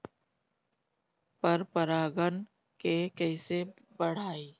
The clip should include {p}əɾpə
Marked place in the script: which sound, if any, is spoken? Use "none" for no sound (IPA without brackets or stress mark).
p